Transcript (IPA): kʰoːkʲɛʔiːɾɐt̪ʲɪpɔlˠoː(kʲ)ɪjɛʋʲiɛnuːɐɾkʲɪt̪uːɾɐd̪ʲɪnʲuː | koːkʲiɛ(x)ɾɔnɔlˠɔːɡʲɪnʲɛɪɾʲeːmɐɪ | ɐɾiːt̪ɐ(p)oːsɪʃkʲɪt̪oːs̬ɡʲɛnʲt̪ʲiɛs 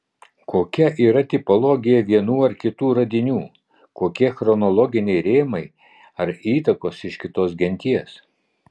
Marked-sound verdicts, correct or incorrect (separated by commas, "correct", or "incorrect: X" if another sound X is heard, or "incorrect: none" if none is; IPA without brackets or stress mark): incorrect: ɡʲ, correct, incorrect: k